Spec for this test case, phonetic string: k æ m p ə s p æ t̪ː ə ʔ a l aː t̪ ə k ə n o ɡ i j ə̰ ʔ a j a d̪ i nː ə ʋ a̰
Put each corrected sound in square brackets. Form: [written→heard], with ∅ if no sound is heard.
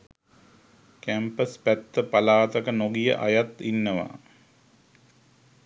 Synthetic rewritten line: k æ m p ə s p æ t̪ː ə [ʔ→p] a l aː t̪ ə k ə n o ɡ i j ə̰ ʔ a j a [d̪→t̪] i nː ə ʋ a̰